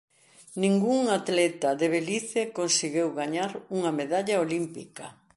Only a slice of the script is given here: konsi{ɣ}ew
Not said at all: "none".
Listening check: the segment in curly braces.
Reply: ɣ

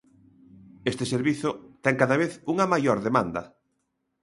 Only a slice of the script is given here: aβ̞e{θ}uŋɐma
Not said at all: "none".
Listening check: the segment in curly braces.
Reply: θ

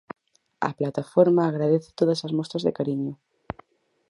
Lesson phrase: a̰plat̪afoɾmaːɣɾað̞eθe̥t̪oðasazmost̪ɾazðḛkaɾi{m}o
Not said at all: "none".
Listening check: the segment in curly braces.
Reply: ɲ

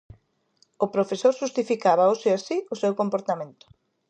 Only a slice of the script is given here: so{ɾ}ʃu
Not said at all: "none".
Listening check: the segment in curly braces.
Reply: ɾ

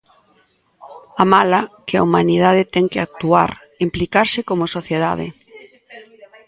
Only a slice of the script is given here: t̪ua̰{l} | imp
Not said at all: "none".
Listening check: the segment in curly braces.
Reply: ɾ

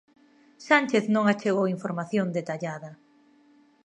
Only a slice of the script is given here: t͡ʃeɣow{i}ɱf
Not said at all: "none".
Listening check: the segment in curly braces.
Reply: i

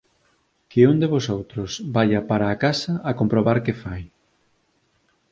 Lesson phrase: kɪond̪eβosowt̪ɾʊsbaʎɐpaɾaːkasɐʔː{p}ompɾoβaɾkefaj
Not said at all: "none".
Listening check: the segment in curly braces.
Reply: k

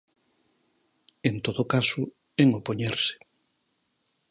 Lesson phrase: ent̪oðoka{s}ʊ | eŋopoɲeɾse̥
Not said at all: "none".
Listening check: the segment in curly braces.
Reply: s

